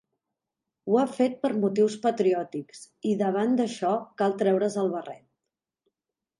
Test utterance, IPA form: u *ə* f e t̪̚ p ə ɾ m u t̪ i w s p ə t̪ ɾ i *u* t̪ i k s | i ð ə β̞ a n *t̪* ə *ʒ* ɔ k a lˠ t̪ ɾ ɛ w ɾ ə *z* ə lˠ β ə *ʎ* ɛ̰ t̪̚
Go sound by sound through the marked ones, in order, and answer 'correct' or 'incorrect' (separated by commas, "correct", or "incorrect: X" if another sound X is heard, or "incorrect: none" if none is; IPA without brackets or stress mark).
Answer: incorrect: a, incorrect: ɔ, incorrect: d̪, incorrect: ʃ, correct, incorrect: r